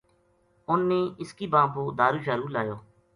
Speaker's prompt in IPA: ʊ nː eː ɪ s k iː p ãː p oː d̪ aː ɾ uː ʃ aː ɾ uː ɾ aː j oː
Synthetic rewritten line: ʊ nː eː ɪ s k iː b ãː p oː d̪ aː ɾ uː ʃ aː ɾ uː l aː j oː